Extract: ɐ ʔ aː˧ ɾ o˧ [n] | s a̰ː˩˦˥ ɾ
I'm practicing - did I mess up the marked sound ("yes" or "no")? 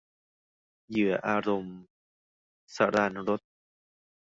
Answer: yes